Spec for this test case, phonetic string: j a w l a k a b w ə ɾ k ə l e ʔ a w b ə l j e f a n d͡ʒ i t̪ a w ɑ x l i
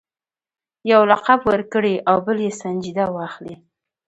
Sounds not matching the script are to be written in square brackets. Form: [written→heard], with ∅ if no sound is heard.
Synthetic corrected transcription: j a w l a [k→q] a b w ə ɾ k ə [l→ɽ] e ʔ a w b ə l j e [f→s] a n d͡ʒ i [t̪→d̪] a w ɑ x l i